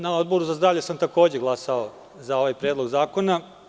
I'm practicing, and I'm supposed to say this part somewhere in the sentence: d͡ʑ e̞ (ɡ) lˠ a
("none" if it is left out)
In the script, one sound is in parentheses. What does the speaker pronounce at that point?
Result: ɡ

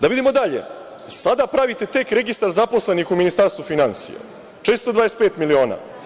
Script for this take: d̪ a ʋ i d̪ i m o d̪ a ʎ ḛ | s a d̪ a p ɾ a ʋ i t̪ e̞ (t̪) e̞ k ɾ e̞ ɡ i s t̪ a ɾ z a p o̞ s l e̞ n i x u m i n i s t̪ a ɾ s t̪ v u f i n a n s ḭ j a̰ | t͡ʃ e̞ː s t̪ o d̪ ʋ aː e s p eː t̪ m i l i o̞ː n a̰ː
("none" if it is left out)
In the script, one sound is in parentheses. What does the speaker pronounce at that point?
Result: t̪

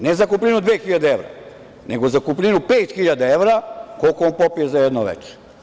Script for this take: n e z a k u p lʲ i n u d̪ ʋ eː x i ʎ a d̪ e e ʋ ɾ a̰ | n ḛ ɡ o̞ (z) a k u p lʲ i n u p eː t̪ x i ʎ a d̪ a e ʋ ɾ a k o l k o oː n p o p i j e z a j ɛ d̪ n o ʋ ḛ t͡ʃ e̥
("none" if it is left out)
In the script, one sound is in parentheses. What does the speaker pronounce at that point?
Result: z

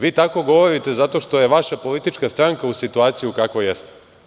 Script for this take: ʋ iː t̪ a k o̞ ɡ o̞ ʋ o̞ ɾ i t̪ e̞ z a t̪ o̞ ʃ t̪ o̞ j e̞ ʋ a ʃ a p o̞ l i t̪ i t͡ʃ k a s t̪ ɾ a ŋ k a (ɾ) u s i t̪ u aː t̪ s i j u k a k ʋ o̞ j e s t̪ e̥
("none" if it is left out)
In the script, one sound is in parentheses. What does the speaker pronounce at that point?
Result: none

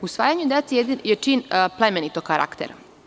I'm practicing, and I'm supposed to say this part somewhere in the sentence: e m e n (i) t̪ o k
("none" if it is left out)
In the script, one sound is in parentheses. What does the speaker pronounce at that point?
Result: i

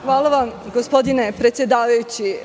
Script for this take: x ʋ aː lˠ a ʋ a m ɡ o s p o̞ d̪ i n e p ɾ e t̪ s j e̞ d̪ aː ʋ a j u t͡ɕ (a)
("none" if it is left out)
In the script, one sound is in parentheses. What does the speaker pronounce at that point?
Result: i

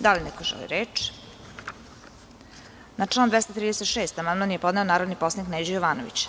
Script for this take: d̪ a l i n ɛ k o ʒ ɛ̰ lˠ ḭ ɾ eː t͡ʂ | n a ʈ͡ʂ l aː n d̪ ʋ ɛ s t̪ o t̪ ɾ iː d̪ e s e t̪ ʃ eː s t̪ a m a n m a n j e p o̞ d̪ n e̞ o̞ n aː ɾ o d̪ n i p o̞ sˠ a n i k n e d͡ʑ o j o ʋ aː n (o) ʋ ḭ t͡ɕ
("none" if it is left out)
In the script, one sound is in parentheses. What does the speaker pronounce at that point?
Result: o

